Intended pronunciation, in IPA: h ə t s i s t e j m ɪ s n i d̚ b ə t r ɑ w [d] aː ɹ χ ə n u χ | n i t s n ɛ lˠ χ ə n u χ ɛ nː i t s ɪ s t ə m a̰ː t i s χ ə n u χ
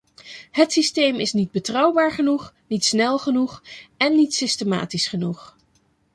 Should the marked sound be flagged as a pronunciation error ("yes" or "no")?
yes